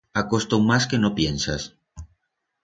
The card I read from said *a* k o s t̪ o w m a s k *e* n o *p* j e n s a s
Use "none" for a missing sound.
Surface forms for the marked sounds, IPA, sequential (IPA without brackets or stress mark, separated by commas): a, e, p